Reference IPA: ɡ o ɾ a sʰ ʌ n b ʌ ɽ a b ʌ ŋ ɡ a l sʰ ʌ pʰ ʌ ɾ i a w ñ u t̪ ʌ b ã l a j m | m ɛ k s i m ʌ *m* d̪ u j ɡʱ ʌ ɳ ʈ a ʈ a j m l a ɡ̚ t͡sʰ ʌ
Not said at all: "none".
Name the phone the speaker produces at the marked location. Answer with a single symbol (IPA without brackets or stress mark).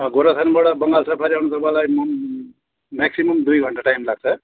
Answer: m